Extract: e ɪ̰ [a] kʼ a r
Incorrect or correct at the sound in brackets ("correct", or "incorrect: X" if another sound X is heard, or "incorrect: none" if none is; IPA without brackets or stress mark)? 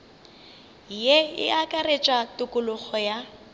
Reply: correct